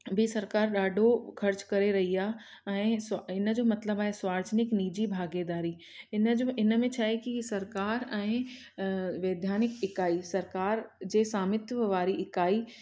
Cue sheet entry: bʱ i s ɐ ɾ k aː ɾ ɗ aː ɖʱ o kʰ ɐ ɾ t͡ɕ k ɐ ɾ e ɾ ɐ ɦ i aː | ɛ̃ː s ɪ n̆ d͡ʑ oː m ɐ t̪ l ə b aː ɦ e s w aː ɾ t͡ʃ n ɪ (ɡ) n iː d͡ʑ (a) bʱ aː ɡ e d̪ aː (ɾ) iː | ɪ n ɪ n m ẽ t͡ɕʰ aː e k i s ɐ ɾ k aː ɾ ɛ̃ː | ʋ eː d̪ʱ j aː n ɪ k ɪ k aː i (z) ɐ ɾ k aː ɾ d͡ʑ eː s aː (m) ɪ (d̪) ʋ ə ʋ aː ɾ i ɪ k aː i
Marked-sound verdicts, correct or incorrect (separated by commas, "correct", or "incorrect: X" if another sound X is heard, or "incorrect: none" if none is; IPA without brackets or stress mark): incorrect: k, incorrect: i, correct, incorrect: s, correct, incorrect: t̪